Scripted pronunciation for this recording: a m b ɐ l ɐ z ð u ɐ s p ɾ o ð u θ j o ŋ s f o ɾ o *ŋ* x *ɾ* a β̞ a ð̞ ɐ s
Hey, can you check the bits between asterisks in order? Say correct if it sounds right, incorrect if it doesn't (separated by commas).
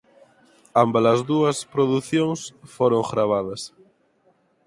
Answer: correct, correct